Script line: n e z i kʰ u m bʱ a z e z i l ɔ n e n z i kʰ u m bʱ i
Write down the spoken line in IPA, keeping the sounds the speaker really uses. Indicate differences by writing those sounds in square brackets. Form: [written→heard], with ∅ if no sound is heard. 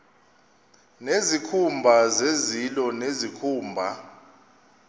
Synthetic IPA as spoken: n e z i kʰ u m bʱ a z e z i l ɔ n e [n→∅] z i kʰ [u→uː] m bʱ [i→a]